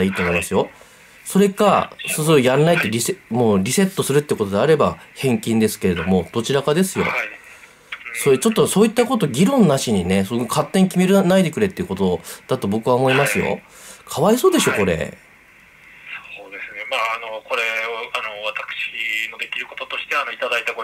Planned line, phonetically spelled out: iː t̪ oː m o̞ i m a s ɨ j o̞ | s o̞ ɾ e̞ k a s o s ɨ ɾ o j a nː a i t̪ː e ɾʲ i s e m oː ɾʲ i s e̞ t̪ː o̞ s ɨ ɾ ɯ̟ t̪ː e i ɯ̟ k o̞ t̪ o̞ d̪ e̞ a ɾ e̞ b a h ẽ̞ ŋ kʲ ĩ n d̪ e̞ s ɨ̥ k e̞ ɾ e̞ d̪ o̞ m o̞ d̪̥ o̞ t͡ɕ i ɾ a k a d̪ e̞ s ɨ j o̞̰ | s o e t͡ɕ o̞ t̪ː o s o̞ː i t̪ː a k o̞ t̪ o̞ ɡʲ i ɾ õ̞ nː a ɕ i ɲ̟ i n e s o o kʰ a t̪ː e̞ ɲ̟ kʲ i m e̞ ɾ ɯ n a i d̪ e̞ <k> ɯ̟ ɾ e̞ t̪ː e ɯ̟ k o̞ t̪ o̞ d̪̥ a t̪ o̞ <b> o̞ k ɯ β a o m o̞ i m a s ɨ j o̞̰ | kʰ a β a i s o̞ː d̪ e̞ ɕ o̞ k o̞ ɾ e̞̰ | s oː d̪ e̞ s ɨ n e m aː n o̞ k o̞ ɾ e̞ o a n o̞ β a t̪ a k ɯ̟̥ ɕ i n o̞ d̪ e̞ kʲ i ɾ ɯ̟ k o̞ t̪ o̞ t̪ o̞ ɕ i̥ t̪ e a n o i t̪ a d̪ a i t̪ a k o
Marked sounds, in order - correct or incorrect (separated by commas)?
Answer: correct, correct